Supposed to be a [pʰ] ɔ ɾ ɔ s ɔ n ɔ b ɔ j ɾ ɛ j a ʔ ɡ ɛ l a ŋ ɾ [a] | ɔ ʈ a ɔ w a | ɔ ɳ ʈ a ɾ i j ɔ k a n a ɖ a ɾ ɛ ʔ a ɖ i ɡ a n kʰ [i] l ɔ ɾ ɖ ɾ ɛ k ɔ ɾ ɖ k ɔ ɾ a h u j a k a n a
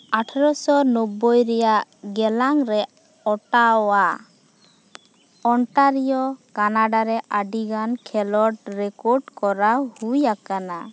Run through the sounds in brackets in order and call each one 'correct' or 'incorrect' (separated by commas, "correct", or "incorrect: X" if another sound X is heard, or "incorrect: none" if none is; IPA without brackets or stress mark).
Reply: incorrect: ʈʰ, incorrect: ɛ, incorrect: ɛ